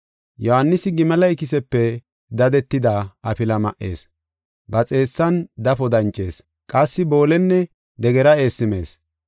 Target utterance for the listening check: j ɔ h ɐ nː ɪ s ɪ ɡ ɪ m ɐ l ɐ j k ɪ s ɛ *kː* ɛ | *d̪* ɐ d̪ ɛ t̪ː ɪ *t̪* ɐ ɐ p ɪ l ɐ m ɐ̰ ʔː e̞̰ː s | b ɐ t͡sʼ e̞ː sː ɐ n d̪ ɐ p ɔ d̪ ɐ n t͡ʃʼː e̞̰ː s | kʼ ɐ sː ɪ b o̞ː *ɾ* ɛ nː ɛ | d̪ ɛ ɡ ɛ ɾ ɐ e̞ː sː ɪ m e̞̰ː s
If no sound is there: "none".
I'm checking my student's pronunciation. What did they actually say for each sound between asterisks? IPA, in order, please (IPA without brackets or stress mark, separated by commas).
pː, d̪, d̪, l